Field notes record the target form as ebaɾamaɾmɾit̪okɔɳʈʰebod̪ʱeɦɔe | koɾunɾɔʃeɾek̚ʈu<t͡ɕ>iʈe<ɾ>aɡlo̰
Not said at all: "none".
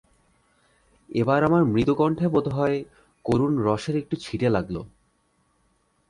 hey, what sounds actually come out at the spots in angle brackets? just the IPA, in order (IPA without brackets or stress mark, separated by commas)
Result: t͡ɕʰ, l